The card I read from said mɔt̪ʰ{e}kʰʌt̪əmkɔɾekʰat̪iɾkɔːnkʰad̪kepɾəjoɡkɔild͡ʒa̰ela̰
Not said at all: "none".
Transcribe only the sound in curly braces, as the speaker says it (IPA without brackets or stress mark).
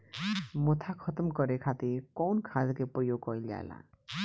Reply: a